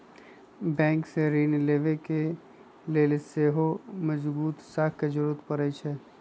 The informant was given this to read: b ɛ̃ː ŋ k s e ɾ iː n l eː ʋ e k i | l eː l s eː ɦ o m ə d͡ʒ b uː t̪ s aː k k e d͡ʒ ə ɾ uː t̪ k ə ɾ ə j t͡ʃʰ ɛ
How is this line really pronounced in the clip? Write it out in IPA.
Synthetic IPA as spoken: b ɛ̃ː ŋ k s e ɾ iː n l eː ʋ e k e | l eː l s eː ɦ o m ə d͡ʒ b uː t̪ s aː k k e d͡ʒ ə ɾ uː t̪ p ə ɾ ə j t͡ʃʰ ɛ